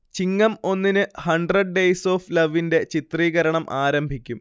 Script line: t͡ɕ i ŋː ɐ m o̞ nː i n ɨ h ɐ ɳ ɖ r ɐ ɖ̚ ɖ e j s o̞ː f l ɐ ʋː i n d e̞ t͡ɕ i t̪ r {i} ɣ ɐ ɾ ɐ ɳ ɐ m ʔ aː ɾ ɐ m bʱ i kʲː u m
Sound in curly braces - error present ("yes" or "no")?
yes